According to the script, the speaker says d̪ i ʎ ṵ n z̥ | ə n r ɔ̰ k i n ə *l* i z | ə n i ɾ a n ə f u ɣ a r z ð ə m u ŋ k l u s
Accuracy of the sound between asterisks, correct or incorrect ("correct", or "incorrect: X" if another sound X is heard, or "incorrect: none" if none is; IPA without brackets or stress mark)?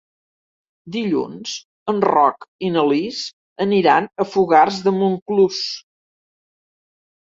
correct